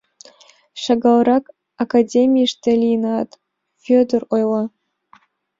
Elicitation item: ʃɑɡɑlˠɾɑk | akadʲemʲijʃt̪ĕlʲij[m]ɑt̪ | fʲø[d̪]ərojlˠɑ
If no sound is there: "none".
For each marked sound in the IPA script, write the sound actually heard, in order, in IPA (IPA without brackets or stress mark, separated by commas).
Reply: n, d̪